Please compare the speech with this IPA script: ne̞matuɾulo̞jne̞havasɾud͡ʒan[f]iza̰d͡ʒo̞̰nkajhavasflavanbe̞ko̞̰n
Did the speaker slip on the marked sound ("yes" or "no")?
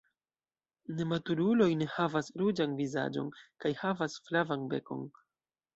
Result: yes